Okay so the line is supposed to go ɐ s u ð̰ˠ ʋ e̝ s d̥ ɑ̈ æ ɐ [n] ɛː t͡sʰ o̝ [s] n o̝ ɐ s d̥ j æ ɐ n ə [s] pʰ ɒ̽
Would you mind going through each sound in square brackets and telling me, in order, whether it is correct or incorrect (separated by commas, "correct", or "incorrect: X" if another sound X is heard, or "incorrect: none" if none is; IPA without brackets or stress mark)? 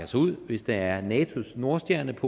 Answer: correct, correct, incorrect: none